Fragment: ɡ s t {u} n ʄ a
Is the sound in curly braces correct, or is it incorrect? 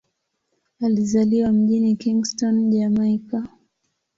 incorrect